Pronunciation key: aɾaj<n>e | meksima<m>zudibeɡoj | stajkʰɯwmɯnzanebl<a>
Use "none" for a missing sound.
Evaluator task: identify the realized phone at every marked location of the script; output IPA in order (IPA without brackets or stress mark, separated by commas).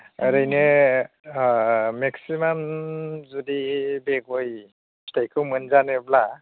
n, m, a